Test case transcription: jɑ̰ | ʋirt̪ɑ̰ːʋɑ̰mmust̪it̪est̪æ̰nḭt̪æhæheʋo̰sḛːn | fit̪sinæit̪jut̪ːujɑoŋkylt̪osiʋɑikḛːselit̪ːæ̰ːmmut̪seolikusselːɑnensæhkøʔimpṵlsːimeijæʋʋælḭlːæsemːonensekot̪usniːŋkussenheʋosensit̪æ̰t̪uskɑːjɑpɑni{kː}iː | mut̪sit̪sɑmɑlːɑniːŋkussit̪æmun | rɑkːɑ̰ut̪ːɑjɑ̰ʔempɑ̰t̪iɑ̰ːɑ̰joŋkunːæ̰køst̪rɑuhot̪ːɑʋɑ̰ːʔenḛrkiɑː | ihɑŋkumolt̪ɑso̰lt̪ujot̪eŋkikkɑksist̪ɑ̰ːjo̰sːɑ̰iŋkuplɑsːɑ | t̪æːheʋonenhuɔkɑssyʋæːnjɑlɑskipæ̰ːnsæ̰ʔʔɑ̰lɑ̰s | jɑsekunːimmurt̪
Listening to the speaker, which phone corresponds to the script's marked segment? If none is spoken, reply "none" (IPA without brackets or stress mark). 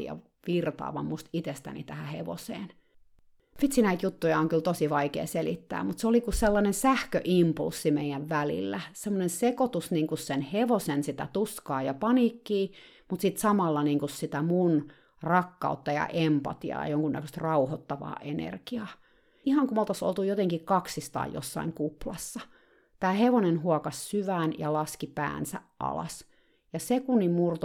kː